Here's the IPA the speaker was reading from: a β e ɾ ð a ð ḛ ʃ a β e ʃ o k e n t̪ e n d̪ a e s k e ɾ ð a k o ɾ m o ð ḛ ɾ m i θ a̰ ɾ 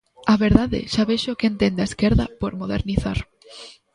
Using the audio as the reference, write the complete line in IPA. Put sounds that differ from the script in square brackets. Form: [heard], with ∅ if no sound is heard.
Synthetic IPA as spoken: a β e ɾ ð a ð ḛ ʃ a β e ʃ o k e n t̪ e n d̪ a e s k e ɾ ð a [p] o ɾ m o ð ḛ ɾ [n] i θ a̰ ɾ